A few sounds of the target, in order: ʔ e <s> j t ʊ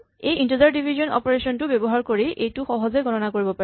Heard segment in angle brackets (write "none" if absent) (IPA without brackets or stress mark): none